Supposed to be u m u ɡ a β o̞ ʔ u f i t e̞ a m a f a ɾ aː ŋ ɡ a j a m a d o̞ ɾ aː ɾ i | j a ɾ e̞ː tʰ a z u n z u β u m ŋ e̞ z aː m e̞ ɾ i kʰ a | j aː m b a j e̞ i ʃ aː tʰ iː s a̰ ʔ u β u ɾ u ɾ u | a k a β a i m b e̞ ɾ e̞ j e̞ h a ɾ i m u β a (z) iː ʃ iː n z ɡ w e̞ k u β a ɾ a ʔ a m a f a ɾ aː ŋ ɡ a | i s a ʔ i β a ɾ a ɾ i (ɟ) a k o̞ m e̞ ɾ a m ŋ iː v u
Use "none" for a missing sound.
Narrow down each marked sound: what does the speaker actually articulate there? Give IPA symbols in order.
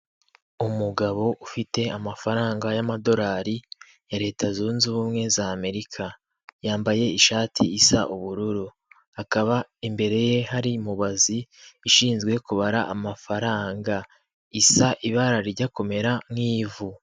z, ɟ

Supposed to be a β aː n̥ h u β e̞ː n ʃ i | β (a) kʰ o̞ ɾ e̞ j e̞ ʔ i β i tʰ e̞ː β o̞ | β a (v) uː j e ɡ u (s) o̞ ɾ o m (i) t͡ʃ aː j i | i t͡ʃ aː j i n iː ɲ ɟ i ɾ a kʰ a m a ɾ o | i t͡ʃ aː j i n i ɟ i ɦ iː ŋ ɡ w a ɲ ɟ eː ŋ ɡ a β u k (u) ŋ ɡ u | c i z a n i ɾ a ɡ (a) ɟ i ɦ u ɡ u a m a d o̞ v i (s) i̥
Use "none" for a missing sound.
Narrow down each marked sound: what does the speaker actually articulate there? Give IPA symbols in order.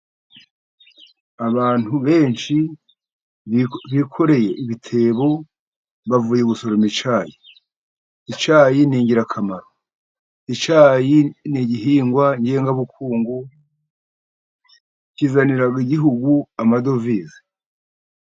i, v, s, i, uː, i, z

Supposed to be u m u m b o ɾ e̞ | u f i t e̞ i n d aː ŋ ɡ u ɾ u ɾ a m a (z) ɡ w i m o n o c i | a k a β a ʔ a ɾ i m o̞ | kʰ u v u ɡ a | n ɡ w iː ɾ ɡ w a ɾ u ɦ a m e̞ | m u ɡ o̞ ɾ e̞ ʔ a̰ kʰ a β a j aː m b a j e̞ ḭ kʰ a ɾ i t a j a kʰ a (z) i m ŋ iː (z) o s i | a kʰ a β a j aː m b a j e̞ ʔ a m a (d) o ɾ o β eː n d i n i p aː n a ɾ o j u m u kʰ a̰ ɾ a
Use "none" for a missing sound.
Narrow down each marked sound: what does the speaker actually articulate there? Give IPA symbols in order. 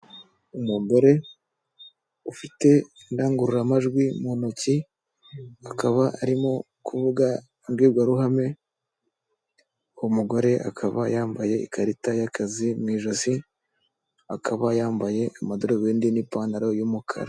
ʒ, z, ʒ, d

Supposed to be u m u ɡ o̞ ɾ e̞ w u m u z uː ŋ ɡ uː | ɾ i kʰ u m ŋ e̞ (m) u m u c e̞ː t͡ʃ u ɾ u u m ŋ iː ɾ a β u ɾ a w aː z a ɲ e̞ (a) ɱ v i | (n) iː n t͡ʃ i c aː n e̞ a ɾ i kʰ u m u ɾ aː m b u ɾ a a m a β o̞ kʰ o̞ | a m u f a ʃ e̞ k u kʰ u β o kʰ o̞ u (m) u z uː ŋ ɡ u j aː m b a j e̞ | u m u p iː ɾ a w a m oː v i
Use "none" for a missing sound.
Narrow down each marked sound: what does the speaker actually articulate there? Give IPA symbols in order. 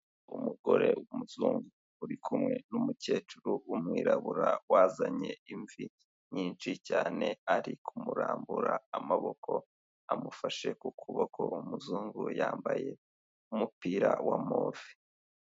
n, i, ɲ, m

